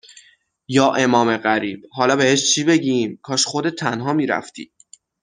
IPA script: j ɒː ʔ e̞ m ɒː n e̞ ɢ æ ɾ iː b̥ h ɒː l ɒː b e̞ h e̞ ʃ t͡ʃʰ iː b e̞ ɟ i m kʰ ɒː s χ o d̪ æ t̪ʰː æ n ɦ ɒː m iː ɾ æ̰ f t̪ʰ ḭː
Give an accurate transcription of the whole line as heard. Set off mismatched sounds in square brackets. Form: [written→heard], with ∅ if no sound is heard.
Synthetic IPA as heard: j ɒː ʔ e̞ m ɒː [n→m] e̞ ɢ æ ɾ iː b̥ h ɒː l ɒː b e̞ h e̞ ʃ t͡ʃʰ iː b e̞ ɟ i m kʰ ɒː [s→ʃ] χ o d̪ [æ→e] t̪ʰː æ n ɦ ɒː m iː ɾ æ̰ f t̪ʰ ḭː